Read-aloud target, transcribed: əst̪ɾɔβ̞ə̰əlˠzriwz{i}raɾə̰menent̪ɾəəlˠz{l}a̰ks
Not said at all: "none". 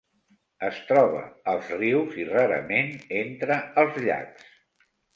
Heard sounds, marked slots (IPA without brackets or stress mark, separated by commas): i, ʎ